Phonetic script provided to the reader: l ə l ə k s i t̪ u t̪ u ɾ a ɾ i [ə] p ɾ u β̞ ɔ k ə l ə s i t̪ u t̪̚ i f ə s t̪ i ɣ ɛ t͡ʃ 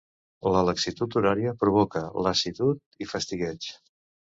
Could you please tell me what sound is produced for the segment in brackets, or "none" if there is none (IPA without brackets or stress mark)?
ə